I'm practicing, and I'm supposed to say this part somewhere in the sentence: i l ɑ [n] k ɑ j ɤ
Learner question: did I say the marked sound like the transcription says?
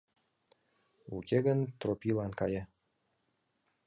yes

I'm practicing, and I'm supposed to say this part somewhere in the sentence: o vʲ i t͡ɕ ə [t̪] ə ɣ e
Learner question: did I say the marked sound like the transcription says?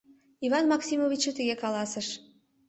yes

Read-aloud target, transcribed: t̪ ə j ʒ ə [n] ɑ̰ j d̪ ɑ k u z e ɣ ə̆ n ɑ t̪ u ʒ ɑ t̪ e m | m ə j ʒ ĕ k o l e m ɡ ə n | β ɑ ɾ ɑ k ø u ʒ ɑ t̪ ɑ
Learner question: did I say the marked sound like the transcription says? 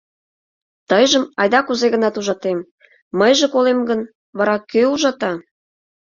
no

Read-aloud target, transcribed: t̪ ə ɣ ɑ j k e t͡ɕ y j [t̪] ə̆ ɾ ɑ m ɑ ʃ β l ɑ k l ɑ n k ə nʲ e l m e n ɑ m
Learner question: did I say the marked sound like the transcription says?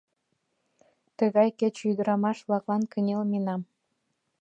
no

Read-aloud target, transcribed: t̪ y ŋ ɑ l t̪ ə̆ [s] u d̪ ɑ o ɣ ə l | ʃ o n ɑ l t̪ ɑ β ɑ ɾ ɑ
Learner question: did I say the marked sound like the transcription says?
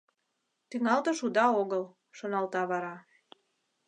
no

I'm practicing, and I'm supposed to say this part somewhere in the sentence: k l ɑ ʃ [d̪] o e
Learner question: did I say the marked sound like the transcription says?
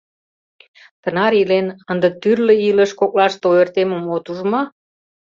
no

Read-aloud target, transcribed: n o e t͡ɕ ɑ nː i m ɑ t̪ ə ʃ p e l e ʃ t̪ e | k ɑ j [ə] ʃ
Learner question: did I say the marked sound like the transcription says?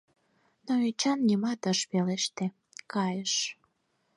yes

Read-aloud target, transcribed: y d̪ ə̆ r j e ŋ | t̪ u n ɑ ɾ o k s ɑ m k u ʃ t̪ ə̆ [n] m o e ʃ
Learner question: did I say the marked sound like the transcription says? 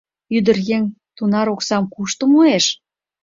no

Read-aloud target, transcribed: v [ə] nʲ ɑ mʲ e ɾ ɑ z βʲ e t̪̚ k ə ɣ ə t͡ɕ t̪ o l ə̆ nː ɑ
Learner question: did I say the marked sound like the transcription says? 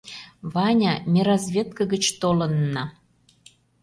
no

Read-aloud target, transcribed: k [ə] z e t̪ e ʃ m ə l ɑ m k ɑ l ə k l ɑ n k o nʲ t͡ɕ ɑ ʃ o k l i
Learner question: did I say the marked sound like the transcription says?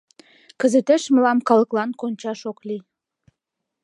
yes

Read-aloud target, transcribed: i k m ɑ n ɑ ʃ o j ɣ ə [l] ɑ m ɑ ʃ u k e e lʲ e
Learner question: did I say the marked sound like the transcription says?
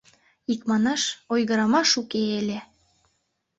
no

